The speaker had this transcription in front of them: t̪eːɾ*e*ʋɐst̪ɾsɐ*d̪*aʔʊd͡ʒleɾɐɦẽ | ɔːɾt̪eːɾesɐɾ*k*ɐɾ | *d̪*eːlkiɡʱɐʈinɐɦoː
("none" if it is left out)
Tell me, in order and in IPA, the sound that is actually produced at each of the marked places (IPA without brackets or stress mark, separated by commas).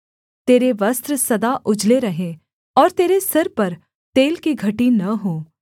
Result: e, d̪, p, t̪